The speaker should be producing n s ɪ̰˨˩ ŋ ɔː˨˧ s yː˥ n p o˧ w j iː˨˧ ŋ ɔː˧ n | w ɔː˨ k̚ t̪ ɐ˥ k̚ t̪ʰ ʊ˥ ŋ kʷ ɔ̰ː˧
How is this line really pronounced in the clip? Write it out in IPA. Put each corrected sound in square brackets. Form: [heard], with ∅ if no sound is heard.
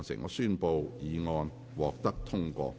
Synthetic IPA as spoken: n s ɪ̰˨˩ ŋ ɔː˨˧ s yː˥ n p o˧ w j iː˨˧ ŋ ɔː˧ n | w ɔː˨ k̚ t̪ ɐ˥ k̚ t̪ʰ ʊ˥ ŋ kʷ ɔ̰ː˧